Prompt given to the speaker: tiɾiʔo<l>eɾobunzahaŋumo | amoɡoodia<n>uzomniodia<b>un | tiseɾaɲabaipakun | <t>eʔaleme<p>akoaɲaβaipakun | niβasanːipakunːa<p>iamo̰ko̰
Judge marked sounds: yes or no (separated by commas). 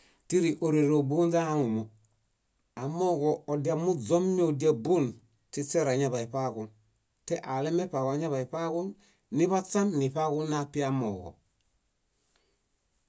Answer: no, no, yes, yes, yes, yes